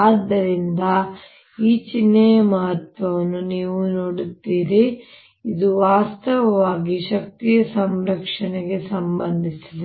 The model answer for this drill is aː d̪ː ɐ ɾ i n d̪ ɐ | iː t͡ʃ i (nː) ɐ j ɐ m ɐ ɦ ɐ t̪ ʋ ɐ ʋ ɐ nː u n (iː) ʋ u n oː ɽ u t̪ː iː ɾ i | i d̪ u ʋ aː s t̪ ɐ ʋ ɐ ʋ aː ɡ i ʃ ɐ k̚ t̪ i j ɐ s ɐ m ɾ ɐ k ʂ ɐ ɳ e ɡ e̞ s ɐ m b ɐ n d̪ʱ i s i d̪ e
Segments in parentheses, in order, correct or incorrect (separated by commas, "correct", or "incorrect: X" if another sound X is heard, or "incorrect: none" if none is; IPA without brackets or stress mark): correct, correct